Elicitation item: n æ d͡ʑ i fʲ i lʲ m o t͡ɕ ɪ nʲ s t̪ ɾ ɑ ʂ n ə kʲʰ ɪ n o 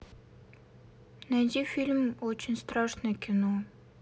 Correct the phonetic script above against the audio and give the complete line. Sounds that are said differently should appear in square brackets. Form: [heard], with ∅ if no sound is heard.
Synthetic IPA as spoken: n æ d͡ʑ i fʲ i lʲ m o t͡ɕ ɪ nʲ s t̪ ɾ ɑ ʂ n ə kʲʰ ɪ n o